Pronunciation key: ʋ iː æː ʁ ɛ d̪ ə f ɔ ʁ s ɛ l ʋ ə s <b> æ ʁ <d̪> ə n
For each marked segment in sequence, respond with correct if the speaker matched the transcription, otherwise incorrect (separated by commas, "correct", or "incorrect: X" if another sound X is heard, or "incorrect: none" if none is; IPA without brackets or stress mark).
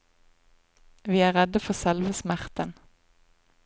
incorrect: m, incorrect: t̪